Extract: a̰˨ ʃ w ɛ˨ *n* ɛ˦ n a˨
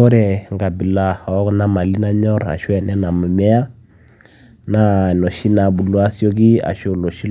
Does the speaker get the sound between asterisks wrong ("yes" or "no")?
no